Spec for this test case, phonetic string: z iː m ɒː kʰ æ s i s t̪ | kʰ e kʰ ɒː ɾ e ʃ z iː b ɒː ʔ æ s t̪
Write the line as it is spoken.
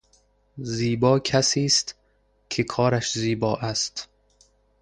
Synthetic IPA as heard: z iː b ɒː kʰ æ s iː s t̪ | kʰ e kʰ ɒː ɾ æ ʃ z iː b ɒː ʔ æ s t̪